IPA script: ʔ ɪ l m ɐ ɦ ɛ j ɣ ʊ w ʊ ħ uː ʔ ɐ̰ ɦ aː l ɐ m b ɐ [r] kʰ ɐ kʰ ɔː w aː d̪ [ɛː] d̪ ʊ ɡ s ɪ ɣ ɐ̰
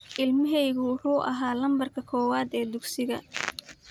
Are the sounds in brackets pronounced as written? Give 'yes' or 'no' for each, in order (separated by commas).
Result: yes, yes